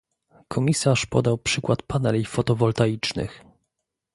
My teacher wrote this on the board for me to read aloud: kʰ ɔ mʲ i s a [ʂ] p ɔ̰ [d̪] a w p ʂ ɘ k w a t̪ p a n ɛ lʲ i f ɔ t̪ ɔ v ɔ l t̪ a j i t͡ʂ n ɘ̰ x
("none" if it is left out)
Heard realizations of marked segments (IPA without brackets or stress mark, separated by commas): ʂ, d̪